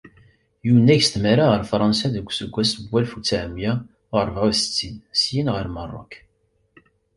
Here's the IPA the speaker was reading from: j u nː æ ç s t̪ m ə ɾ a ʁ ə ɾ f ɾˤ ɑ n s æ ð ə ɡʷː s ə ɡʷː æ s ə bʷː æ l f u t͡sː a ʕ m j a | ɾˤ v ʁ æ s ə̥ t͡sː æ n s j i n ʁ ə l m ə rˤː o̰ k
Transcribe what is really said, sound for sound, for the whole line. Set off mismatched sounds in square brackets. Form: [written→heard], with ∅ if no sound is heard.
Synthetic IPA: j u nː æ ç s t̪ m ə ɾ a ʁ ə ɾ f ɾˤ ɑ n s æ ð ə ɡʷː s ə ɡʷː æ s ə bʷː æ l f u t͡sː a ʕ m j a | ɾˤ v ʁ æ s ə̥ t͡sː [æ→i] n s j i n ʁ ə [l→ɾ] m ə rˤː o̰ k